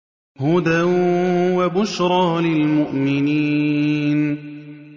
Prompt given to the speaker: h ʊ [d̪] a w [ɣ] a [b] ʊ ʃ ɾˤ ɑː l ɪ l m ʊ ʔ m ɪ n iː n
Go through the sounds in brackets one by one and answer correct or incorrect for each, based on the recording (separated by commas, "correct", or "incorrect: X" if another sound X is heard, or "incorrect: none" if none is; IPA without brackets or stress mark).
correct, incorrect: w, correct